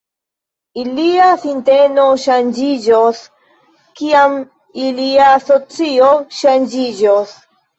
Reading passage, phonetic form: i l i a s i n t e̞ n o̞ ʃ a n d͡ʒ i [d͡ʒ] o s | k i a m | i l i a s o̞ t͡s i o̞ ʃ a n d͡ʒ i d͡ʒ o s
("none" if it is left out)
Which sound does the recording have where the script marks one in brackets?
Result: d͡ʒ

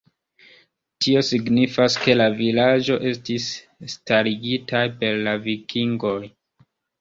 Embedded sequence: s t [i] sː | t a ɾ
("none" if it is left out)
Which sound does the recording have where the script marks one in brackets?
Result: i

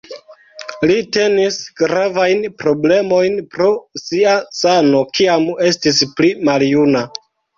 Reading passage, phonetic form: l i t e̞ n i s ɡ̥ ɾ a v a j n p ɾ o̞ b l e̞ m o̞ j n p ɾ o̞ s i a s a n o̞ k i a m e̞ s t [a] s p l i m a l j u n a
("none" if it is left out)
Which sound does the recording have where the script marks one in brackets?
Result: i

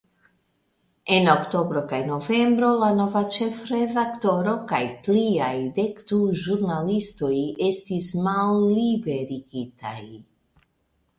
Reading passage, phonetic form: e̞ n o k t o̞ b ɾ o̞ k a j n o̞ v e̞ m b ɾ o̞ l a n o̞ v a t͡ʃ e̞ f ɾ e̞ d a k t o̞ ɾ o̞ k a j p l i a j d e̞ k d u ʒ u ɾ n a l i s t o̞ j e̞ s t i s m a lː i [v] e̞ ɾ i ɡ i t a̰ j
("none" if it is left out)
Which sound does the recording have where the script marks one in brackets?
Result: b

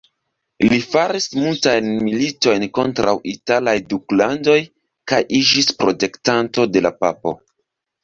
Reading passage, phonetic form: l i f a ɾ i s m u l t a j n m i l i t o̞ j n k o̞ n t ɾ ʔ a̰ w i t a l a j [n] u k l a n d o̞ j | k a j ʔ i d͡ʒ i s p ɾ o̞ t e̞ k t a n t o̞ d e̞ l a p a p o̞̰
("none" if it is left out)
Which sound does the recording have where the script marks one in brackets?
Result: d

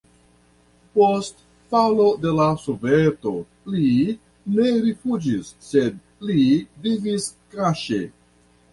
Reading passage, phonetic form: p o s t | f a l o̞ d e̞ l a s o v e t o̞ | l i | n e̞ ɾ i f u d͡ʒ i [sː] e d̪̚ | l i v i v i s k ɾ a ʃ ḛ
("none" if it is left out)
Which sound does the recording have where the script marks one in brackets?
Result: sː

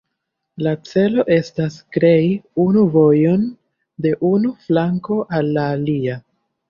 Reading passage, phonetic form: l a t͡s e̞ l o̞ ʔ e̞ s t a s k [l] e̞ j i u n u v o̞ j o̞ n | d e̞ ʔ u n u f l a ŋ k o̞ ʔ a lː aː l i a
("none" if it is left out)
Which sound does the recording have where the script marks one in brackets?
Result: ɾ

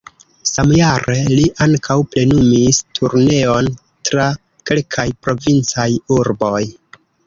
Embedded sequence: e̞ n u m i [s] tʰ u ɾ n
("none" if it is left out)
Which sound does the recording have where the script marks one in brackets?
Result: s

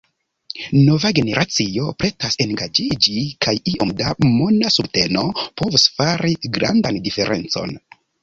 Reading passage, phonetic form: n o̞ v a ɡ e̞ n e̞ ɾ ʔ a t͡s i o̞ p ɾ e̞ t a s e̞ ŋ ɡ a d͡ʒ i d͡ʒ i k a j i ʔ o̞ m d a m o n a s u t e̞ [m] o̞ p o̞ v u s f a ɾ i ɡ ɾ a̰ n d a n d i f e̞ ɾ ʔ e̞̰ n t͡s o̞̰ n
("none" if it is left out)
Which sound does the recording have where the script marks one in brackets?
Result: n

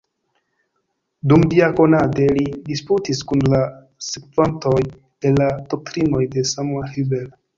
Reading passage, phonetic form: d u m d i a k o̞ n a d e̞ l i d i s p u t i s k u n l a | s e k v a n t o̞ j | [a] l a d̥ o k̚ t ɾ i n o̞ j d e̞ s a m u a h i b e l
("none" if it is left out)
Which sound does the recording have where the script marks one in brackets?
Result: e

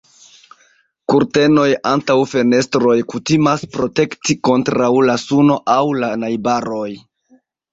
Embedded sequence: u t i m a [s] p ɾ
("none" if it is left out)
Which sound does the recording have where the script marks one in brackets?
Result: s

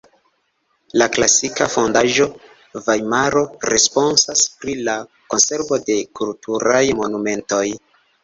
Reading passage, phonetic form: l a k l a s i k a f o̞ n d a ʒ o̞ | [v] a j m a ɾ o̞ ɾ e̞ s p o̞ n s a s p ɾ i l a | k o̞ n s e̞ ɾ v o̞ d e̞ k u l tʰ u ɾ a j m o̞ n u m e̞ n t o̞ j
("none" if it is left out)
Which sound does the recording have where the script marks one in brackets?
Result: v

